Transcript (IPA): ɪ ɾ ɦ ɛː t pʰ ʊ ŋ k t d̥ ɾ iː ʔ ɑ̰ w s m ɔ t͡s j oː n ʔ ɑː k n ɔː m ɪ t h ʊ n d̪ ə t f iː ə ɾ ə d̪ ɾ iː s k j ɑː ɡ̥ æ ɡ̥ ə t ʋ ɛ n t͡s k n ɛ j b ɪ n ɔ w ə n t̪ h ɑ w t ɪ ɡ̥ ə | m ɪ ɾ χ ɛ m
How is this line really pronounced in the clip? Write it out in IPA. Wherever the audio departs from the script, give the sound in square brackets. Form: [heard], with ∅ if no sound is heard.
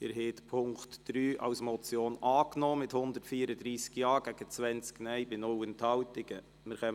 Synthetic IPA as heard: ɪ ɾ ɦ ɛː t pʰ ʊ ŋ k t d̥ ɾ [yː] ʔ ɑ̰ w s m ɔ t͡s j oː n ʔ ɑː k n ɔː m ɪ t h ʊ n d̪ ə t f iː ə ɾ ə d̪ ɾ iː s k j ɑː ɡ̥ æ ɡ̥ ə [t͡s] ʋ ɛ n t͡s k n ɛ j b ɪ n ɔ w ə n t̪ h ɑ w t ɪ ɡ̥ ə | m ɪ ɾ χ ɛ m